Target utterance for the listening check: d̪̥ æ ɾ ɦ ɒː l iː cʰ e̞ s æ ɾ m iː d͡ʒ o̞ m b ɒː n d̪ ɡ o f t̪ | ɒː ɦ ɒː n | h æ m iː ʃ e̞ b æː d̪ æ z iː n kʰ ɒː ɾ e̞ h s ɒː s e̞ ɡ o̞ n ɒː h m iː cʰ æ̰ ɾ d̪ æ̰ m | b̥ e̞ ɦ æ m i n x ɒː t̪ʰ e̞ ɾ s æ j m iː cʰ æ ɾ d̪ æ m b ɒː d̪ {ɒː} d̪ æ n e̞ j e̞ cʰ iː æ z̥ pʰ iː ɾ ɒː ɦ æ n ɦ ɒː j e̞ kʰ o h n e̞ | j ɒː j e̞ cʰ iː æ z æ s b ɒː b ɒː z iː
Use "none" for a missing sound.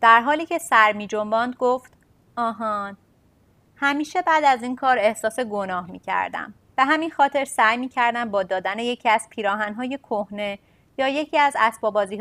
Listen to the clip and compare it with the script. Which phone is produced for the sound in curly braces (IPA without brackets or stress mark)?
ɒː